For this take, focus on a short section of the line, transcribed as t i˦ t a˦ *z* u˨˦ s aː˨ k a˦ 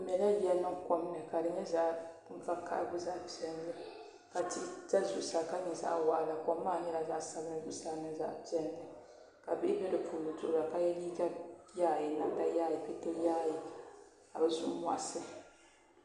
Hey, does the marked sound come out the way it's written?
yes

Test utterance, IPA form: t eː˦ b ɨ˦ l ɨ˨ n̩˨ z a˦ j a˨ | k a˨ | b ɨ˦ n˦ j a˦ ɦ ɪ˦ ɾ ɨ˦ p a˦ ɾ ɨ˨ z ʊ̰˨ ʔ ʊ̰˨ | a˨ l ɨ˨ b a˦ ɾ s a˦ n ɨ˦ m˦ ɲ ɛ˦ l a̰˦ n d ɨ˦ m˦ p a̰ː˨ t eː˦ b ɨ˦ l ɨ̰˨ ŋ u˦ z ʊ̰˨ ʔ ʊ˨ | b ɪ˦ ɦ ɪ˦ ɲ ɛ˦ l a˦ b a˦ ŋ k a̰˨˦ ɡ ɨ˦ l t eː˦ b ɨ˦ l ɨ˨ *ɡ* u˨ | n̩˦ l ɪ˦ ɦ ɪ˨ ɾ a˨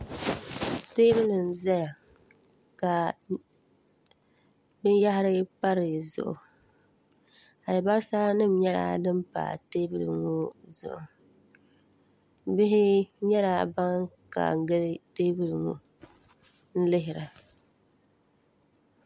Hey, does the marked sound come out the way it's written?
no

